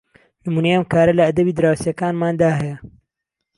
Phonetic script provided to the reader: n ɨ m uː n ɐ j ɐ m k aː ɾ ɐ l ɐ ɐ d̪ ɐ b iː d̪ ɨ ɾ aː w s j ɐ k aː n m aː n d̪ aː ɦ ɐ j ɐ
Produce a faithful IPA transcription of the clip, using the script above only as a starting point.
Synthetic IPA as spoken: n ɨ m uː n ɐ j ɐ m k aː ɾ ɐ l ɐ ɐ d̪ ɐ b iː d̪ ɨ ɾ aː w s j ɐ k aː n m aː n d̪ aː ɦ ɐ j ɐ